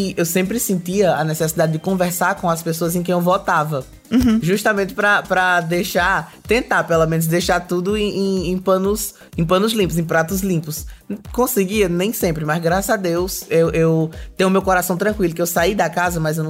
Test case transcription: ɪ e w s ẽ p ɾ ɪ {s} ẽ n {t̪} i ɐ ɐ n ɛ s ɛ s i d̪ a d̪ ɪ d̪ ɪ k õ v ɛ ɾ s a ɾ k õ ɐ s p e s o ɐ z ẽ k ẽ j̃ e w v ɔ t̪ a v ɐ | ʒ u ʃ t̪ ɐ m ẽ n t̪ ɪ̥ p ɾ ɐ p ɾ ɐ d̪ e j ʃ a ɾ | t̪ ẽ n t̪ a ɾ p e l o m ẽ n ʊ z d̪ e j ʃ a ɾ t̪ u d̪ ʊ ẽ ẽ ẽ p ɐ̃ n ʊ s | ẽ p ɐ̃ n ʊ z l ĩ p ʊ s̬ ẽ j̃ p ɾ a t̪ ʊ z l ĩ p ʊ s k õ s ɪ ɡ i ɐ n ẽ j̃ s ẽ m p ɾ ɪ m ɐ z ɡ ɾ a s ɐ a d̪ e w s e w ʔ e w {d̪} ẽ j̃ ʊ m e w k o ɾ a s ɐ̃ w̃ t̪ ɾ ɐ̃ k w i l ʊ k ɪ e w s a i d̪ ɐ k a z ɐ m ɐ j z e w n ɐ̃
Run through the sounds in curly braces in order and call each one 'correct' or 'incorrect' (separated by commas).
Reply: correct, correct, incorrect